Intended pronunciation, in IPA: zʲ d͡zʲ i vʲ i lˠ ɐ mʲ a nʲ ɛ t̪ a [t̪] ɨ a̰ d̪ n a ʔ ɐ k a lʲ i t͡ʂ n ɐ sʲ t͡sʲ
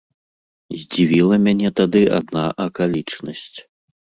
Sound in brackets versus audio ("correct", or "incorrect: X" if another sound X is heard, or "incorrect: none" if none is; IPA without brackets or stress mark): incorrect: d̪